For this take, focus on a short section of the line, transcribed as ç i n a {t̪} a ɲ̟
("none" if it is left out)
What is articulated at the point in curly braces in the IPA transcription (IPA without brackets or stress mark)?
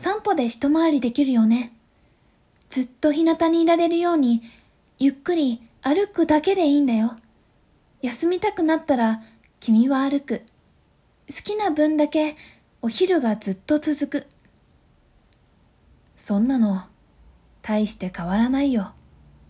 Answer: t̪